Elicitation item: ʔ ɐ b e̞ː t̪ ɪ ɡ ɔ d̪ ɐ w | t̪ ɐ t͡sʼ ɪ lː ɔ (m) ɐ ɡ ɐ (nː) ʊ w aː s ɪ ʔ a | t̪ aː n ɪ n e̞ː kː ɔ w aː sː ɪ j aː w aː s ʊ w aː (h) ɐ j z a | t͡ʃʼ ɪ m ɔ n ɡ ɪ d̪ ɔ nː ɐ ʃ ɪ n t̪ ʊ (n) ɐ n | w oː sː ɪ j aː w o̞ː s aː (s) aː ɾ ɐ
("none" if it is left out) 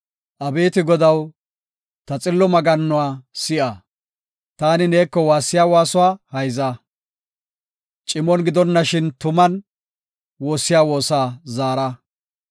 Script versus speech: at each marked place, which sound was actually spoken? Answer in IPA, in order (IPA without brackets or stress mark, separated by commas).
m, nː, h, m, z